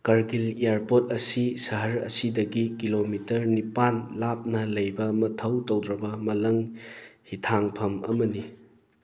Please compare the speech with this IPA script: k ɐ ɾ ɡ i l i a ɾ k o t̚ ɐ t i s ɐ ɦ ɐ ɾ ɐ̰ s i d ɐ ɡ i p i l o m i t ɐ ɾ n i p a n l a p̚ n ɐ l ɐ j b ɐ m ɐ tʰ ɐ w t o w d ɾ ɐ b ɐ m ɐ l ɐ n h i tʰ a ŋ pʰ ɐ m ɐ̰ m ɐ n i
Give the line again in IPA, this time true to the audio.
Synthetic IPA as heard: k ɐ ɾ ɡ i l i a ɾ p o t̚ ɐ s i s ɐ ɦ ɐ ɾ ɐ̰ s i d ɐ ɡ i k i l o m i t ɐ ɾ n i p a n l a p̚ n ɐ l ɐ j b ɐ m ɐ tʰ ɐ w t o w d ɾ ɐ b ɐ m ɐ l ɐ ŋ h i tʰ a ŋ pʰ ɐ m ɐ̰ m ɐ n i